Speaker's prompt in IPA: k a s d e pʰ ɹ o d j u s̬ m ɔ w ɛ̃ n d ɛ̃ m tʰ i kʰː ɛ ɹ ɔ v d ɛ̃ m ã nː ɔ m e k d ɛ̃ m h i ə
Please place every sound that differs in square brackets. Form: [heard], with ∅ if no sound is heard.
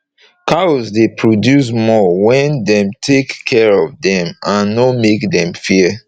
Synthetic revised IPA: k a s d e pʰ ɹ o d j u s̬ m ɔ w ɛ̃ n d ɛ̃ m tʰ [e] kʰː ɛ ɹ ɔ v d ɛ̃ m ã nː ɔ m e k d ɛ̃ m [f] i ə